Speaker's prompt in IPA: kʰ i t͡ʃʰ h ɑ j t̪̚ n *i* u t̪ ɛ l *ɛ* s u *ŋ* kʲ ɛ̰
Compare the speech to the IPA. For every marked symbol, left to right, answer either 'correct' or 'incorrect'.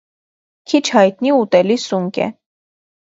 correct, incorrect, correct

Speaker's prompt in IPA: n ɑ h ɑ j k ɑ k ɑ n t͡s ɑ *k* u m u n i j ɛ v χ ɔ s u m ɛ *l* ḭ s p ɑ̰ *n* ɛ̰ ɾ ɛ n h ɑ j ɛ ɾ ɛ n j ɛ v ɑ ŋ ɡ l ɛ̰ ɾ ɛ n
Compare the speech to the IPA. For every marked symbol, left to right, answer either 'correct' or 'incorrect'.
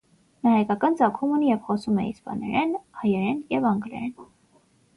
incorrect, incorrect, correct

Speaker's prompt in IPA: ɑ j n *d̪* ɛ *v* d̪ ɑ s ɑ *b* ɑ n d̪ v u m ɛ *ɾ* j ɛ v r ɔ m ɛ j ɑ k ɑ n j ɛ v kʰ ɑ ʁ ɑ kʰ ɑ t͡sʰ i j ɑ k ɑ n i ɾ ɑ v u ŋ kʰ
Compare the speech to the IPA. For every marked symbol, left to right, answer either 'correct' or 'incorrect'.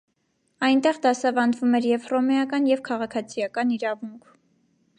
incorrect, incorrect, incorrect, correct

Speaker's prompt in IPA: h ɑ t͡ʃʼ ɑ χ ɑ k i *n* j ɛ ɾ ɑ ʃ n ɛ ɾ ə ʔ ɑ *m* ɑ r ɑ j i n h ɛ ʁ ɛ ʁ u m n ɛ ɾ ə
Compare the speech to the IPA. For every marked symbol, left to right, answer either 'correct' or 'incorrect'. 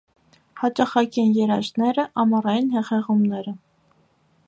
correct, correct

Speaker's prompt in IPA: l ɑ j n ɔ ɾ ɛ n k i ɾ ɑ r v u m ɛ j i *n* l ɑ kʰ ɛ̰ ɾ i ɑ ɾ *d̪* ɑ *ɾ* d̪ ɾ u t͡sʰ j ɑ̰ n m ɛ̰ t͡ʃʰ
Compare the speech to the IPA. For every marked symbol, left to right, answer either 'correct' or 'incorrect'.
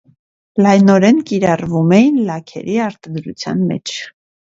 correct, incorrect, incorrect

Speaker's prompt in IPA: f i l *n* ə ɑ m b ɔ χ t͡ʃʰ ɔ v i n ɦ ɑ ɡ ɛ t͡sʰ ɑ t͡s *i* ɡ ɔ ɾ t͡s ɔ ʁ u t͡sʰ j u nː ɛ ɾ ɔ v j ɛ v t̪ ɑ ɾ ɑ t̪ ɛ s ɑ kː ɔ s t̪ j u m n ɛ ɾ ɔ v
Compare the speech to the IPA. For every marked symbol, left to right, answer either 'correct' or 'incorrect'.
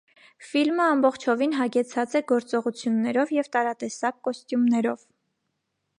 incorrect, incorrect

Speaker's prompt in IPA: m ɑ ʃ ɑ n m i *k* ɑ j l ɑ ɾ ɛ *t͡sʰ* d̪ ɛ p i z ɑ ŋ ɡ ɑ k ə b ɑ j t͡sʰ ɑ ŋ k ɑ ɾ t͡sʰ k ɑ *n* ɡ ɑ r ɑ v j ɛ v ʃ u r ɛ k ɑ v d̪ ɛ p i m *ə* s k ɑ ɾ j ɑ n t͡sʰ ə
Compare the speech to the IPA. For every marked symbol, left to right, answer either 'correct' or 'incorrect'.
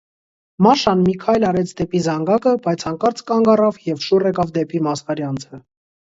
incorrect, correct, incorrect, incorrect

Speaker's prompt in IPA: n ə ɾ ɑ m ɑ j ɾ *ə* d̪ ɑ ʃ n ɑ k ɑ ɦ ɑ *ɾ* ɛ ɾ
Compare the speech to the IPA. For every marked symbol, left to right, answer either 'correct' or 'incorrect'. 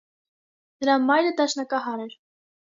correct, correct

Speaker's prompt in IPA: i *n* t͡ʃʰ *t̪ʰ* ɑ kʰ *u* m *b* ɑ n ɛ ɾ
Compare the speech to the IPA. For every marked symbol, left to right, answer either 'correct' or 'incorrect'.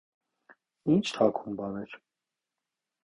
correct, correct, correct, correct

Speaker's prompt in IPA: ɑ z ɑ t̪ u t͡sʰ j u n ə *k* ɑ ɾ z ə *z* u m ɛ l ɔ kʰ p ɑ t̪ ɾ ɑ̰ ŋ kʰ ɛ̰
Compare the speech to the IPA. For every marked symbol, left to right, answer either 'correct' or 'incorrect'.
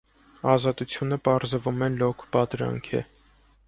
incorrect, incorrect

